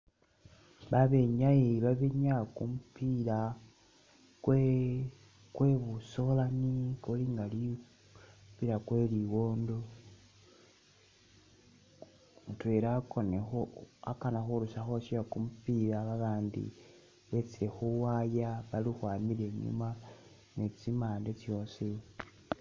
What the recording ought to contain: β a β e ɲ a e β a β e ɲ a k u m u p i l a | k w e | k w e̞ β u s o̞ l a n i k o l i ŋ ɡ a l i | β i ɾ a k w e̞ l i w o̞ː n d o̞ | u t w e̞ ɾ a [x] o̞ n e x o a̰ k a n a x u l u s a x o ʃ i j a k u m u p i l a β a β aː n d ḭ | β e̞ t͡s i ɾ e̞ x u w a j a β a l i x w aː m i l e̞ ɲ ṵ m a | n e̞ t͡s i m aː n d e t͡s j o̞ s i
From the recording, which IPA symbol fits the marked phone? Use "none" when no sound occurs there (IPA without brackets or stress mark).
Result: k